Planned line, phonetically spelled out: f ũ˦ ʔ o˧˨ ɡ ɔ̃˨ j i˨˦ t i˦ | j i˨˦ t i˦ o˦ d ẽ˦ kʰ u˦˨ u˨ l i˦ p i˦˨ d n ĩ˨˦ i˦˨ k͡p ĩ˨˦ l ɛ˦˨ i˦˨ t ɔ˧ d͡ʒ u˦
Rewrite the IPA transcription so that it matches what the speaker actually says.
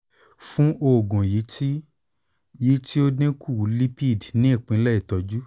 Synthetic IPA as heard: f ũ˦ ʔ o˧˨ ɡ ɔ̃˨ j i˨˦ t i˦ | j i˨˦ t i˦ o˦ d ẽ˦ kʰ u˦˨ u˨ l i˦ p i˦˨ d n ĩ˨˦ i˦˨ k͡p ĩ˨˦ l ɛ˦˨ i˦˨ t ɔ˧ d͡ʒ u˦